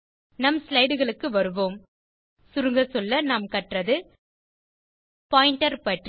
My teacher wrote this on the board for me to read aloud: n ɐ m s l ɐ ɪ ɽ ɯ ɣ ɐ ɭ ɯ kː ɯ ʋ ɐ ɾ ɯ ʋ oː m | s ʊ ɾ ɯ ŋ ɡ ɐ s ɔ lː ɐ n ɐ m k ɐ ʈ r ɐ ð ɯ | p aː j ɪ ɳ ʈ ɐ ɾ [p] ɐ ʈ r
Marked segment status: correct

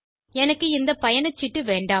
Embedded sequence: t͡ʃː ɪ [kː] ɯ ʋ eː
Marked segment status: incorrect: ʈː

